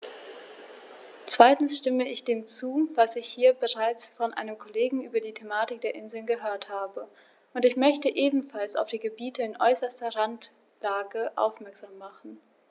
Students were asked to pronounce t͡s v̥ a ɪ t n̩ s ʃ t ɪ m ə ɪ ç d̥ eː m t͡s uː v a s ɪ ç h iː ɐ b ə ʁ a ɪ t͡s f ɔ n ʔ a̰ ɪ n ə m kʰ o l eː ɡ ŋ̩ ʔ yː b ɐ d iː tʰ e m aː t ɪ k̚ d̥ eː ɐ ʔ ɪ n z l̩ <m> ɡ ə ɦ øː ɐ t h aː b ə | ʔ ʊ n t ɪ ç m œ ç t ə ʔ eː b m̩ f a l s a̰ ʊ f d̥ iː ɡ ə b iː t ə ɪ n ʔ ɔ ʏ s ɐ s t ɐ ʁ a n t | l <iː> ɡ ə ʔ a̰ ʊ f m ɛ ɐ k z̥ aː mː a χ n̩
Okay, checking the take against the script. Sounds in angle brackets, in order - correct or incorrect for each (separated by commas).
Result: incorrect, incorrect